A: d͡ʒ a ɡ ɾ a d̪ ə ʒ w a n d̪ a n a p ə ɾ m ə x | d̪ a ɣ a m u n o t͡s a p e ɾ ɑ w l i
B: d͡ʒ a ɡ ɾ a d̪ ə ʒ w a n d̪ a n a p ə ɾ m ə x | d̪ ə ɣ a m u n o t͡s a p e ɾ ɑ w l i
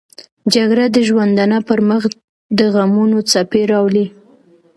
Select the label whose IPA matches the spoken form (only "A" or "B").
B